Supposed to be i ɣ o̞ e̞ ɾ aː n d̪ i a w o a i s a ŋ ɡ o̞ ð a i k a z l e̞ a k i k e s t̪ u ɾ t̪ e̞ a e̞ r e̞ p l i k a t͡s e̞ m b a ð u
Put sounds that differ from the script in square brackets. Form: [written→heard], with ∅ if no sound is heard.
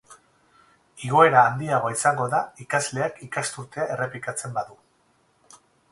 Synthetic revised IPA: i ɣ o̞ e̞ ɾ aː n d̪ i a [w→ɣ] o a i s a ŋ ɡ o̞ ð a i k a z l e̞ a k i k [e→a] s t̪ u ɾ t̪ e̞ a e̞ r e̞ p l i k a t͡s e̞ m b a ð u